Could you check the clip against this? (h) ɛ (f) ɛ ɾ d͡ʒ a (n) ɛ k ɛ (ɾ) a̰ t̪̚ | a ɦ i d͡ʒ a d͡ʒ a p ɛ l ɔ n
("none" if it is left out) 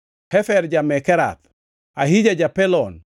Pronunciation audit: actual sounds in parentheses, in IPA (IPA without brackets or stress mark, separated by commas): h, f, m, ɾ